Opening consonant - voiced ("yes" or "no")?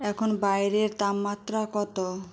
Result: no